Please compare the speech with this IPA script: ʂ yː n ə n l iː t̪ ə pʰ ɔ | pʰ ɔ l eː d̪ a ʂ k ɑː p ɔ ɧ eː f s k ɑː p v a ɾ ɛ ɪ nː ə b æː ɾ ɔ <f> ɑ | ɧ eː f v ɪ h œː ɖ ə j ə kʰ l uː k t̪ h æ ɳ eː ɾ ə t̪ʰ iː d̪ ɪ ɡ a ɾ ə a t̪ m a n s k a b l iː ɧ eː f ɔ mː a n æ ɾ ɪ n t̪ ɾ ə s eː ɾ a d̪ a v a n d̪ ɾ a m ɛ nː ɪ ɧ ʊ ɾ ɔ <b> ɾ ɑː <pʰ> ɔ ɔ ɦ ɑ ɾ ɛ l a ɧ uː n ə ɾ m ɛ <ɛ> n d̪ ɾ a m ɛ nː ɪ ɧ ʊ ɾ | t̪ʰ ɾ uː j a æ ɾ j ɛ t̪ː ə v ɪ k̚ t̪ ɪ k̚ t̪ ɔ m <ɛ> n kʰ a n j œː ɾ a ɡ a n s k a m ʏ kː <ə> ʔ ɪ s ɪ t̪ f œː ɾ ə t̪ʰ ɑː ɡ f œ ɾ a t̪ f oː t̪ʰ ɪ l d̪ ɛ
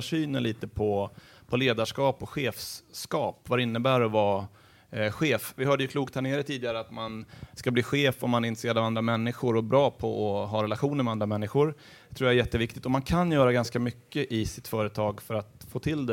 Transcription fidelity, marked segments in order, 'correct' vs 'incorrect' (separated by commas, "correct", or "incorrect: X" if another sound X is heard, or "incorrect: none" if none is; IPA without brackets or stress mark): incorrect: v, correct, correct, incorrect: a, incorrect: a, correct